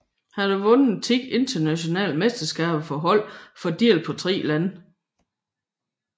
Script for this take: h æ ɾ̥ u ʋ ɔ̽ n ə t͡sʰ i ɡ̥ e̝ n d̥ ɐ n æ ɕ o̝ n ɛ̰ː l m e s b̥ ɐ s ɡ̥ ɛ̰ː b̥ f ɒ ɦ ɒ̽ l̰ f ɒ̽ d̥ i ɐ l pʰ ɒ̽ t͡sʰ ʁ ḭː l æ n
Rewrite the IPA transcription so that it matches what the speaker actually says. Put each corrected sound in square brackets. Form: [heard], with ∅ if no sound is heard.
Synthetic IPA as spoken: h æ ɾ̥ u ʋ ɔ̽ n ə t͡sʰ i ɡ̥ e̝ n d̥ ɐ n æ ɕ o̝ n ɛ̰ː l m e s [d̥] ɐ s ɡ̥ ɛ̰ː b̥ f ɒ ɦ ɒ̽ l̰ f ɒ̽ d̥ i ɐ l pʰ ɒ̽ t͡sʰ ʁ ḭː l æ n